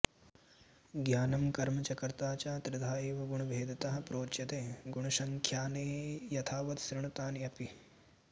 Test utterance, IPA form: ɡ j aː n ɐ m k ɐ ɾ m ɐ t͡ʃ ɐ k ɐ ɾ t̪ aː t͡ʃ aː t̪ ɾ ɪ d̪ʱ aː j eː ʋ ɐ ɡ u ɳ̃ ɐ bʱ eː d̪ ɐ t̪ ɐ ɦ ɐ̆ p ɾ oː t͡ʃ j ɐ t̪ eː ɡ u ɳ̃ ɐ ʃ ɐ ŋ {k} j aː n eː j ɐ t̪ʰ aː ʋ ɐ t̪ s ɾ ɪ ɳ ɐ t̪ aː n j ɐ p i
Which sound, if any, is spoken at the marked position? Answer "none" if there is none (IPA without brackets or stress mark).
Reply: kʰ